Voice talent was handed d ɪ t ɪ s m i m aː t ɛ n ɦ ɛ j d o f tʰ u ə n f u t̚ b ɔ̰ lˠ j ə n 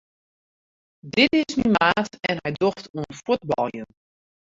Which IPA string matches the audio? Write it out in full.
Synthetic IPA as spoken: d ɪ t ɪ s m i m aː t ɛ n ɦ ɛ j d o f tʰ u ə n f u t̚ b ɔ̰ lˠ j ə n